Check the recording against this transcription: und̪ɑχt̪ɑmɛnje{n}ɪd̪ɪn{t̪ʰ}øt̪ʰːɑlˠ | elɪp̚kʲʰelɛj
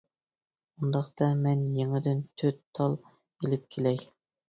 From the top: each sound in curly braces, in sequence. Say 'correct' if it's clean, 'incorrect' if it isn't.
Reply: incorrect, correct

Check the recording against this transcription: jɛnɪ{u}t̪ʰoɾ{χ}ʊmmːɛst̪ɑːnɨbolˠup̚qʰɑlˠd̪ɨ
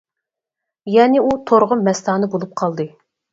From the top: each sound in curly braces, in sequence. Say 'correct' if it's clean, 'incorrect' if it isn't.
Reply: correct, incorrect

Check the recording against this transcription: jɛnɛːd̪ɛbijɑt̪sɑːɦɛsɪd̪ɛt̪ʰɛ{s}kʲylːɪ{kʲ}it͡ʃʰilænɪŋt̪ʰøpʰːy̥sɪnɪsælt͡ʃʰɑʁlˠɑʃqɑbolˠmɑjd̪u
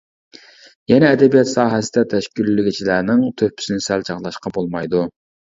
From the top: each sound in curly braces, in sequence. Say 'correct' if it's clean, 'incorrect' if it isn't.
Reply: incorrect, incorrect

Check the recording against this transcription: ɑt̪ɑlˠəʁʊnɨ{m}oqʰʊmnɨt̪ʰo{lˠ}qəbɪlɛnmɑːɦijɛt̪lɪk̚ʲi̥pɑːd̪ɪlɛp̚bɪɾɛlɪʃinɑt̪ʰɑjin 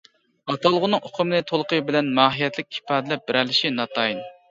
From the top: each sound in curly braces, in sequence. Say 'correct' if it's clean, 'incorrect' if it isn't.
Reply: incorrect, correct

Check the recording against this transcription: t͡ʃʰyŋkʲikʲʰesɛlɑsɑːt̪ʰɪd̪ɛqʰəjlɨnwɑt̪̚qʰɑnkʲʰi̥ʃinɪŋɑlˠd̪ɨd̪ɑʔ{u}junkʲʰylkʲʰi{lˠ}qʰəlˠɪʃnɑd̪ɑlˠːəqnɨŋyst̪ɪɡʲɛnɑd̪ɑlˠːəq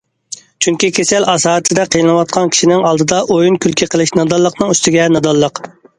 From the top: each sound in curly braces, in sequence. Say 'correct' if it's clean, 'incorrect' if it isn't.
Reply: incorrect, incorrect

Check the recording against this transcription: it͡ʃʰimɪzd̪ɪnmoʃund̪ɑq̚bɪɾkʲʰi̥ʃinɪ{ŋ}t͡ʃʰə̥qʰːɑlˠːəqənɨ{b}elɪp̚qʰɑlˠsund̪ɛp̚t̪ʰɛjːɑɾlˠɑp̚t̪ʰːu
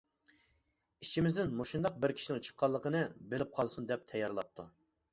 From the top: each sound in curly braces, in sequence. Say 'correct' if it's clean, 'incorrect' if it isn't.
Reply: correct, correct

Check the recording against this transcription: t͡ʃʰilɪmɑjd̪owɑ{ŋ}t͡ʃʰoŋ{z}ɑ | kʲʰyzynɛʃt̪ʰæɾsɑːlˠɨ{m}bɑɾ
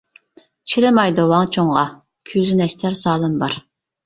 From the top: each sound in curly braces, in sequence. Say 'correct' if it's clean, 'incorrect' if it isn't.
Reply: correct, incorrect, correct

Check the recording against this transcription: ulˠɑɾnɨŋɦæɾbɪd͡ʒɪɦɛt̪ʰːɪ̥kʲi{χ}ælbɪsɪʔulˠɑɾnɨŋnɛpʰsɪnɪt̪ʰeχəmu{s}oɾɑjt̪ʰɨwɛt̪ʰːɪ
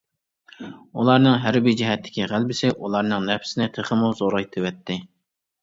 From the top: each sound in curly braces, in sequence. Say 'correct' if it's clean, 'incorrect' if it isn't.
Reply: incorrect, incorrect

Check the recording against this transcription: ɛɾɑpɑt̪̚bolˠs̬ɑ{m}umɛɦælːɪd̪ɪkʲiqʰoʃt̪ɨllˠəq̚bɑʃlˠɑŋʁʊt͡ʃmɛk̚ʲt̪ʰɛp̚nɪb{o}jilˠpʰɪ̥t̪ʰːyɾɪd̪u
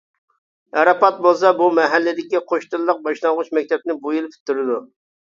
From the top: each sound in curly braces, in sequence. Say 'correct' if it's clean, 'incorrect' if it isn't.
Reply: incorrect, incorrect

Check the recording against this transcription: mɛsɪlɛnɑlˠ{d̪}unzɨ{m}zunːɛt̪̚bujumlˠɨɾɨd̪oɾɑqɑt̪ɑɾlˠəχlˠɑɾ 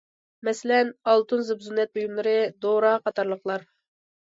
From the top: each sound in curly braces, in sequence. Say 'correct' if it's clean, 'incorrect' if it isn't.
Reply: incorrect, incorrect

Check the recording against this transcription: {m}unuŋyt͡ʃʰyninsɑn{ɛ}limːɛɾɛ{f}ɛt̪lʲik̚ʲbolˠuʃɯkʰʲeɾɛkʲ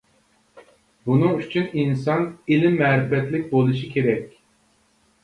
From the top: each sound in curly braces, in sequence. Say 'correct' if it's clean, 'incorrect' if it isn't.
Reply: incorrect, incorrect, correct

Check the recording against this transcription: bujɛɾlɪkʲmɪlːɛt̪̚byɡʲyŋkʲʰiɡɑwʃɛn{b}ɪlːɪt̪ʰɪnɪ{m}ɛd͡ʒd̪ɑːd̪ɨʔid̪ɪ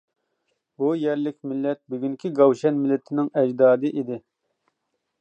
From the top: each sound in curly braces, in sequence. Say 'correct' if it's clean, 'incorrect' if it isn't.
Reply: incorrect, incorrect

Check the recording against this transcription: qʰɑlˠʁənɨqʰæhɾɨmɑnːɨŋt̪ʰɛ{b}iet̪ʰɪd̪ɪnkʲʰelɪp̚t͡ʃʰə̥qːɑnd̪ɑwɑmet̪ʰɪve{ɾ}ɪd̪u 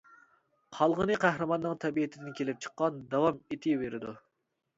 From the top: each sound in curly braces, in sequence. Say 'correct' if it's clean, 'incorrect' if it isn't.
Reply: correct, correct

